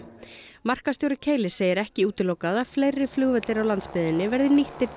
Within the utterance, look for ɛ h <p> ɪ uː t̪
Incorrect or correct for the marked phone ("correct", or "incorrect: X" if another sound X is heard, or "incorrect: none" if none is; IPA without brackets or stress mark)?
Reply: incorrect: c